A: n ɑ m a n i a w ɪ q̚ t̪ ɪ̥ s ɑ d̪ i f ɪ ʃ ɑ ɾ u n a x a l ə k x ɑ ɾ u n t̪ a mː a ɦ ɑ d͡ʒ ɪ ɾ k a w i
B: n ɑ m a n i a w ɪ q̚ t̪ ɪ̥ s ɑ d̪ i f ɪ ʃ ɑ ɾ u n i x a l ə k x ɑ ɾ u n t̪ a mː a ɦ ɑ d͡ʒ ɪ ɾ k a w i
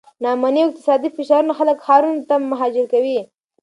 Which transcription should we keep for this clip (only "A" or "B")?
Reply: A